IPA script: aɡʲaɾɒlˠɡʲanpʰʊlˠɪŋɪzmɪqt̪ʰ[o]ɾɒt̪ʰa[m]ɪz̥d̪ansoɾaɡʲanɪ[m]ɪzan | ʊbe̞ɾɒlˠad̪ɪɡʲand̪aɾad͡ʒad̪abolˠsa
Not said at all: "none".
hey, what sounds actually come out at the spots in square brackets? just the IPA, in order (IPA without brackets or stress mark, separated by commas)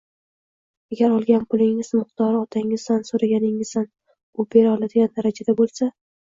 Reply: ɒ, ŋ, ŋ